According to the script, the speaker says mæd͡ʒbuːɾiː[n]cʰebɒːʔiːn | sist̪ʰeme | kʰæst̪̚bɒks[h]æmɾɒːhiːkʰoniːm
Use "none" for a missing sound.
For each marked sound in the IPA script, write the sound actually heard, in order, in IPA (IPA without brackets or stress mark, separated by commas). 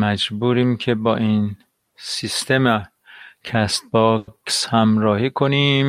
m, h